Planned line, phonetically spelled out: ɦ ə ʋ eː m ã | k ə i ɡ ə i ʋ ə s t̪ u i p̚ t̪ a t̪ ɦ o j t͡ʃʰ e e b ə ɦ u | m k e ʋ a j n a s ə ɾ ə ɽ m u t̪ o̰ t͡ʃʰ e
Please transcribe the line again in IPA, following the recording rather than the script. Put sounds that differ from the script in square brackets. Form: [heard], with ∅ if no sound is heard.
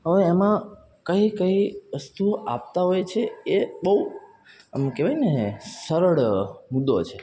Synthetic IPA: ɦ ə ʋ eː m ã | k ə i [k] ə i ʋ ə s t̪ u [a] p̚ t̪ a [∅] ɦ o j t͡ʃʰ e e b ə ɦ u | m k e ʋ a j n [e] s ə ɾ ə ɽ m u [d̪] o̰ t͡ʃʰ e